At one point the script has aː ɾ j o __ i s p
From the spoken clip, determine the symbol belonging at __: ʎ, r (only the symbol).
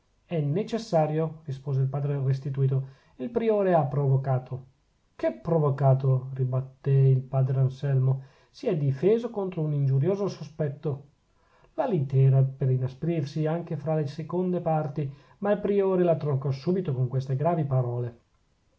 r